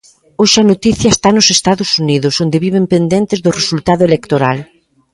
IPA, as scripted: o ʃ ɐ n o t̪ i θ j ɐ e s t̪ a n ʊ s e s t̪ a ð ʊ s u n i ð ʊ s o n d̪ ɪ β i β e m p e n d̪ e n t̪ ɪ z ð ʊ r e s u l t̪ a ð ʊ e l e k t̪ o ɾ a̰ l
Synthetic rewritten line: o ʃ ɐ n o t̪ i θ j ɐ e s t̪ a n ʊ s e s t̪ a ð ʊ s u n i ð ʊ s o n d̪ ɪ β i β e m p e n d̪ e n t̪ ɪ z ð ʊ r e s u l t̪ a ð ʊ e l e k t̪ o ɾ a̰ l